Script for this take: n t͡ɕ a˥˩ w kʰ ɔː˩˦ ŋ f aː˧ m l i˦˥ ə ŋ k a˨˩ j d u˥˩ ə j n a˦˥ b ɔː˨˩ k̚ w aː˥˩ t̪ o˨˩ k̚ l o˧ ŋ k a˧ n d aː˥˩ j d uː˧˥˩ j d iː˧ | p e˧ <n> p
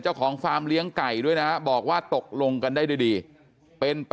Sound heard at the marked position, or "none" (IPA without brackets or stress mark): n